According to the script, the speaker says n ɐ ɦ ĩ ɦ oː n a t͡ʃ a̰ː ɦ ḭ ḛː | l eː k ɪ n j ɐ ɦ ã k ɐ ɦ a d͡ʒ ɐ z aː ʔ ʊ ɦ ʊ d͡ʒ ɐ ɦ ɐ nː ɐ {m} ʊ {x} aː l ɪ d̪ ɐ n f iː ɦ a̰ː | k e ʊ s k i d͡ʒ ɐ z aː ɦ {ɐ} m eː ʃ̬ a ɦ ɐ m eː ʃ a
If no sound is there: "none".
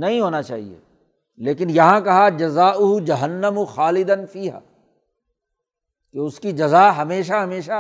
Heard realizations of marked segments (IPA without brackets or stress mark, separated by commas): m, x, ɐ